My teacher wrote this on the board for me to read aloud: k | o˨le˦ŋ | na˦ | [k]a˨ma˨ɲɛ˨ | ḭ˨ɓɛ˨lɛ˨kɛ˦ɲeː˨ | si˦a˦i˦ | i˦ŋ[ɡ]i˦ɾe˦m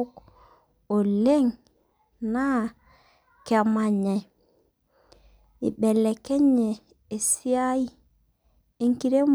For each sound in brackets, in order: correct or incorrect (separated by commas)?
correct, incorrect